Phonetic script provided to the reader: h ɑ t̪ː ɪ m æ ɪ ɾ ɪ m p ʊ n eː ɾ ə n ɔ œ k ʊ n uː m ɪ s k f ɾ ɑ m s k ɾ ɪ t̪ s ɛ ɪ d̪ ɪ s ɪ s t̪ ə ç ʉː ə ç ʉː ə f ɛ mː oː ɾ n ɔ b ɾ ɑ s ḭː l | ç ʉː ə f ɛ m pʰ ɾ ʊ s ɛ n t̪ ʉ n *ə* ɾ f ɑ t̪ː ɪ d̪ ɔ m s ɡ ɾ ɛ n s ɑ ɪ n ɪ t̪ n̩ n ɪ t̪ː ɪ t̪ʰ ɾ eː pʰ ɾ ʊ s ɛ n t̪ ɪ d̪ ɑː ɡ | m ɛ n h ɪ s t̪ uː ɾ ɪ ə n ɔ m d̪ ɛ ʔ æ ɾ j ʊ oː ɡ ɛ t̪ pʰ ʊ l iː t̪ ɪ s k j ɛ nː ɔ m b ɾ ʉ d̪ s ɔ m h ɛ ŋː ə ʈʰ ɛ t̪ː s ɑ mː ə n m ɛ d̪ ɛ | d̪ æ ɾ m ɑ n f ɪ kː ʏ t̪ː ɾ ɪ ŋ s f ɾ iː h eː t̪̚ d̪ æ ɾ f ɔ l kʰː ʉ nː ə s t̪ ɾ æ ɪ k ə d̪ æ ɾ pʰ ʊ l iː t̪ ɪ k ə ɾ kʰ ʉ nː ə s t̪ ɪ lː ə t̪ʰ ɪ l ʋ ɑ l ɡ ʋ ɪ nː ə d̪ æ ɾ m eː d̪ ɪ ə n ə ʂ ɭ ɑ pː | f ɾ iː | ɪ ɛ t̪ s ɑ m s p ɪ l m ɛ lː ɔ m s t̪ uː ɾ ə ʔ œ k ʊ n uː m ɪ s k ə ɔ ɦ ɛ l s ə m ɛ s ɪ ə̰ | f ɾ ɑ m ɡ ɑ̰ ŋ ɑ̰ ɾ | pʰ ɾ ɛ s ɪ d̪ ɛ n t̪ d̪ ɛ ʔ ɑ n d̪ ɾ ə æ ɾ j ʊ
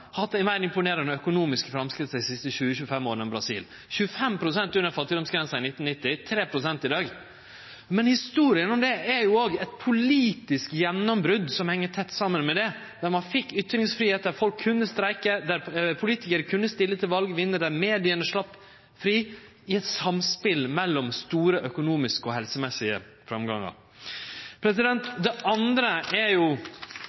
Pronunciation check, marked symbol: correct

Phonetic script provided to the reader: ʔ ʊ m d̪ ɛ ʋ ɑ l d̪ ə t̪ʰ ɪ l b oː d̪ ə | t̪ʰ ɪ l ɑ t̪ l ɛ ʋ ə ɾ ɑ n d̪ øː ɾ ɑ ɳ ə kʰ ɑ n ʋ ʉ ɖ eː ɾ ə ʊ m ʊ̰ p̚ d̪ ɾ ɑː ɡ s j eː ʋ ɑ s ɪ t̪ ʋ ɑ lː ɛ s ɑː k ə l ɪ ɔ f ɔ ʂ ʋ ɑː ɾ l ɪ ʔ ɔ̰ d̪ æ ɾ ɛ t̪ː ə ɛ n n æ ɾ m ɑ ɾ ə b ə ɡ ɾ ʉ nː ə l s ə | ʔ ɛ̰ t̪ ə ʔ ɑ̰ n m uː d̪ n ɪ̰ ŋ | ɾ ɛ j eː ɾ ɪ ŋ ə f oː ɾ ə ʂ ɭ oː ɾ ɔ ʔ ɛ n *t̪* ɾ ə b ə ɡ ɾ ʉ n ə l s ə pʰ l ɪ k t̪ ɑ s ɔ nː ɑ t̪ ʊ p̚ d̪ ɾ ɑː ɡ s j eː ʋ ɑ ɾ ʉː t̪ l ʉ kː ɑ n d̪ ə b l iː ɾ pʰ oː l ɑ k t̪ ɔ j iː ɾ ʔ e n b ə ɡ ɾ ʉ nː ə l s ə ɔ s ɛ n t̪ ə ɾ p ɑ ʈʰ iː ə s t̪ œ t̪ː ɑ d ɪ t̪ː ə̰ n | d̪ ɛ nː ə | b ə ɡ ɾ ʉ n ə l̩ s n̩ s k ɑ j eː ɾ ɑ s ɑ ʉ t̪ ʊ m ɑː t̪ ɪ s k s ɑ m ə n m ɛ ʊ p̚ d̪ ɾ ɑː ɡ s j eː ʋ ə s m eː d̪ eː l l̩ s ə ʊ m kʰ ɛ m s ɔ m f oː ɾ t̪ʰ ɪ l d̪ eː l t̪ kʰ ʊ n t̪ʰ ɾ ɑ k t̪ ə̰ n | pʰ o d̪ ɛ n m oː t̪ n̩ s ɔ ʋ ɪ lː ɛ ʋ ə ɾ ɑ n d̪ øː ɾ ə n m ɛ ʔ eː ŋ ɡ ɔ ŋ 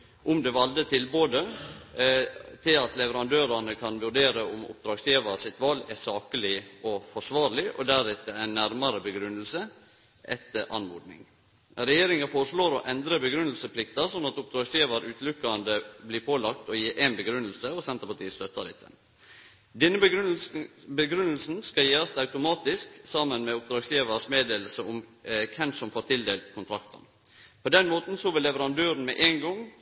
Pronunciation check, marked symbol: incorrect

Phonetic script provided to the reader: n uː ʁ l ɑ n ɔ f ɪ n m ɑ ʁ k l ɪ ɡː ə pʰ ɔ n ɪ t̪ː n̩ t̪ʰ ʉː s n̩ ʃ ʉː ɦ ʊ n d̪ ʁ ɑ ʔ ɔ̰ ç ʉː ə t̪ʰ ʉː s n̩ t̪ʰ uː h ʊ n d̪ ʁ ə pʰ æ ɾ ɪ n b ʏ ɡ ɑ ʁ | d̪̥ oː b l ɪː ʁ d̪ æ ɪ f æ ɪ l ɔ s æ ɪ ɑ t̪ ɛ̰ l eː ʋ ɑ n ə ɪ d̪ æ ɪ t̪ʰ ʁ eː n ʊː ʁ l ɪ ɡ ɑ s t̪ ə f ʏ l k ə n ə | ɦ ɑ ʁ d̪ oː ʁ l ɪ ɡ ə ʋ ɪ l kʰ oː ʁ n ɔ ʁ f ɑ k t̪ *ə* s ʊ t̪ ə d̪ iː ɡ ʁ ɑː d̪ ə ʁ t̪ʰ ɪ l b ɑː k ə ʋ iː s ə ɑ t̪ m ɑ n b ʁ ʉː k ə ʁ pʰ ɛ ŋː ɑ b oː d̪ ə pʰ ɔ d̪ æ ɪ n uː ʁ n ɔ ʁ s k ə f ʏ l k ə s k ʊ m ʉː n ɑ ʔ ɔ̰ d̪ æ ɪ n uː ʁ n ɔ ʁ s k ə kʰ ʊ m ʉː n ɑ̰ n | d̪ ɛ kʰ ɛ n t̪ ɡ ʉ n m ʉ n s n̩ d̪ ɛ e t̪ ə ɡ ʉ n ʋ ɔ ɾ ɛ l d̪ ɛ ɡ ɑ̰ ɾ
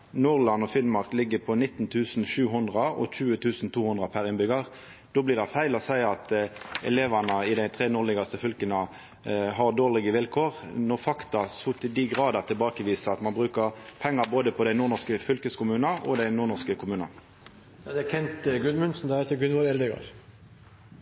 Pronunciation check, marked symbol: incorrect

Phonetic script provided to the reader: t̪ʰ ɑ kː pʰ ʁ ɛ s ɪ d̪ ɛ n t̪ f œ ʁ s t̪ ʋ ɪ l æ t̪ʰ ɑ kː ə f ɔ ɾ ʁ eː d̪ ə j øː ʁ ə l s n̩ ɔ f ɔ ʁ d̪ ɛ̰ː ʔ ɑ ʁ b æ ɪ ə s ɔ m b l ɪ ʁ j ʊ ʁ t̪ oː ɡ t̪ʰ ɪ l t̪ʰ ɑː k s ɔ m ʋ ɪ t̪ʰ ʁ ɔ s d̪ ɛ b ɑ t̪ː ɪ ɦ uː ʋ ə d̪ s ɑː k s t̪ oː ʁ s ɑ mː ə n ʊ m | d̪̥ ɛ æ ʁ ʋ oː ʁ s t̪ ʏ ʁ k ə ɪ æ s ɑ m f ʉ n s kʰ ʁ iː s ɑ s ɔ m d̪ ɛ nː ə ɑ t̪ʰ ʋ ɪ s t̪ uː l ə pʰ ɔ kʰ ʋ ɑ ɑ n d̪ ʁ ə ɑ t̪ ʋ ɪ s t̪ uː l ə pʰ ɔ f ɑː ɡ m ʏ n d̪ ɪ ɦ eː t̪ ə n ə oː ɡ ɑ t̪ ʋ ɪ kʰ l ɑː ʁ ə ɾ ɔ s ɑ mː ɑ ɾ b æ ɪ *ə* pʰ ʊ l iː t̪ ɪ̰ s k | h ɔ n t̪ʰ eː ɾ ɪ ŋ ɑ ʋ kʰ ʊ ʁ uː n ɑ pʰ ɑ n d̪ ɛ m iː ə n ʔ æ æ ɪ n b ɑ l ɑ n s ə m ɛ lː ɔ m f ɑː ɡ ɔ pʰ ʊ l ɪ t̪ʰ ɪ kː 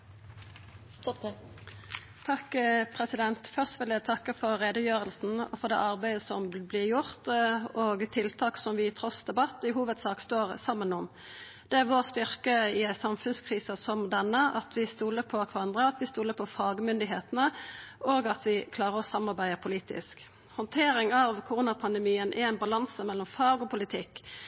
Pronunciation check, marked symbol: correct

